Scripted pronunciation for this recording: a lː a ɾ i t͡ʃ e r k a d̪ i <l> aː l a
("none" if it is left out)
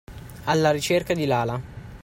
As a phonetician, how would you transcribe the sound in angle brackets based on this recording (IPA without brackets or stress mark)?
l